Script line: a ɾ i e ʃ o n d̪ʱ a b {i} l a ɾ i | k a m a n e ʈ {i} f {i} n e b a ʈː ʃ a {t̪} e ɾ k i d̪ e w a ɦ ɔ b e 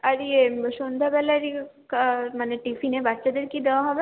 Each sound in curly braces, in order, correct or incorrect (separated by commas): incorrect, correct, correct, incorrect